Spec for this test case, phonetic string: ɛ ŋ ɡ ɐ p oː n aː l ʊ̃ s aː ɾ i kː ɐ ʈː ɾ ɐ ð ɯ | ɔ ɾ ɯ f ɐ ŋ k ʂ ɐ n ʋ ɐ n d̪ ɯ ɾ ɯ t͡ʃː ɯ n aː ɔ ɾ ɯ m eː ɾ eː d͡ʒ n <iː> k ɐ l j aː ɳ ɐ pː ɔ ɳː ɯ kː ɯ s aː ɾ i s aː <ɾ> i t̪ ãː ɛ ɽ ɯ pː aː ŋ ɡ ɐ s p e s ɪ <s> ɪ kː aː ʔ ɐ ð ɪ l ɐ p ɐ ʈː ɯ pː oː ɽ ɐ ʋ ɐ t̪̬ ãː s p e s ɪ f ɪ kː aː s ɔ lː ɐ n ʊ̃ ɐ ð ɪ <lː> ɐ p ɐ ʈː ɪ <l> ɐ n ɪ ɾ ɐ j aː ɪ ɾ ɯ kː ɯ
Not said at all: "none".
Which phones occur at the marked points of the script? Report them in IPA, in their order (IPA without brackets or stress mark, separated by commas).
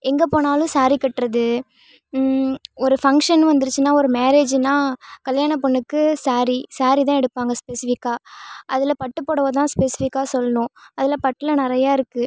aː, ɾ, f, l, l